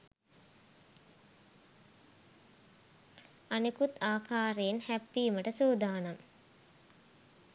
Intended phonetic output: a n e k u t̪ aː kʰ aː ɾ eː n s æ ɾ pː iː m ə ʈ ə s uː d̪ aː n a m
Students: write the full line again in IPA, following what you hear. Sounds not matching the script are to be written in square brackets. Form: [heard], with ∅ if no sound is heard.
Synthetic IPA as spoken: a n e k u t̪ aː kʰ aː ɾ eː n [h] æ [∅] pː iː m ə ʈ ə s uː d̪ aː n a m